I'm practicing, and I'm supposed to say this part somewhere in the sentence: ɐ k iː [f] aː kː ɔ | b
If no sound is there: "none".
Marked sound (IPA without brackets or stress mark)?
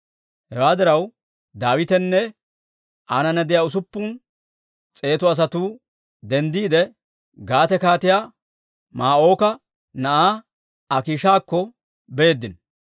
ʃ